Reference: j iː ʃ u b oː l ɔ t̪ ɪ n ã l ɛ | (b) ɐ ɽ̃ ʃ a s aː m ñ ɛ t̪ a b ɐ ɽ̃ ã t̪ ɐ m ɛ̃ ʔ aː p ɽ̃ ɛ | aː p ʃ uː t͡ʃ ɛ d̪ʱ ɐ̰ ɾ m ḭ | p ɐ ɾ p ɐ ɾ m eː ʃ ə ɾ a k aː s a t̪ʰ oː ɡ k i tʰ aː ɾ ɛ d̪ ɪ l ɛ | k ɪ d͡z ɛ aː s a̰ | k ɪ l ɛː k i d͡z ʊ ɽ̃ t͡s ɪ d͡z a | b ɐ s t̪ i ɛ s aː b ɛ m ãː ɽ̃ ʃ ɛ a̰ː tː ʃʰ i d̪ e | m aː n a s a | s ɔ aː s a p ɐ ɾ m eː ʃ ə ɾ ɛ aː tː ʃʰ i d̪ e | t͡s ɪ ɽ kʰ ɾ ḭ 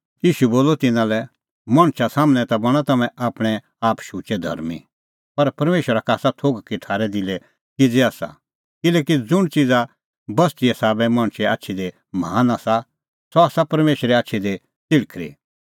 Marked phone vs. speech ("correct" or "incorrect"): incorrect